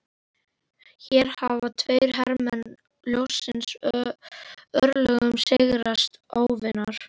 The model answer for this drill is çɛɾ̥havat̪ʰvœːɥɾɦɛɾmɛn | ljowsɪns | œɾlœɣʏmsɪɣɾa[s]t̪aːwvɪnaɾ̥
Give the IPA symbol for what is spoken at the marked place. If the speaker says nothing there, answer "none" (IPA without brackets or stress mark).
s